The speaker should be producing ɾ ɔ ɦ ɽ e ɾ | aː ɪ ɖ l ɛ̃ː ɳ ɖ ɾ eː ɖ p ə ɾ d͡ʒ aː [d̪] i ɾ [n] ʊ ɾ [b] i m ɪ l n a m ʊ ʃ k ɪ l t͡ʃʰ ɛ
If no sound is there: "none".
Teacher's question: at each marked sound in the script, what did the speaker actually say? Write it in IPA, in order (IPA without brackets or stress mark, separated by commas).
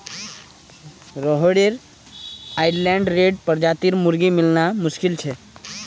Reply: t̪, m, ɡ